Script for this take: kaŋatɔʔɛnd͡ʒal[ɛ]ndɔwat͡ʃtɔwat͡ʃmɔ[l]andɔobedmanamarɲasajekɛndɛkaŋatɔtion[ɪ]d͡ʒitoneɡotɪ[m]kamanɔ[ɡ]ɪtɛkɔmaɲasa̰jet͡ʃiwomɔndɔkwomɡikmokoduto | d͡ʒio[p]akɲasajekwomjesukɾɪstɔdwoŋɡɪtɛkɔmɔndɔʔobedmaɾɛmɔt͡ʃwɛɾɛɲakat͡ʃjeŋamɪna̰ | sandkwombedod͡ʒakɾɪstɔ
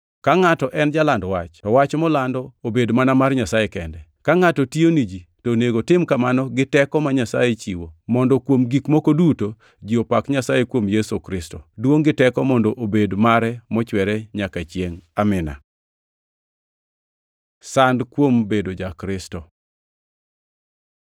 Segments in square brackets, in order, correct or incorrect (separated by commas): incorrect, correct, incorrect, correct, correct, correct